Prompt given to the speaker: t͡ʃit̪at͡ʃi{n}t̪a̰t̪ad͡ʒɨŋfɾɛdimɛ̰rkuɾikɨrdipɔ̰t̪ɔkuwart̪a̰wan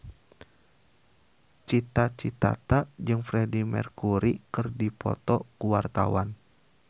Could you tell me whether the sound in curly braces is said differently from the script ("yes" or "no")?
yes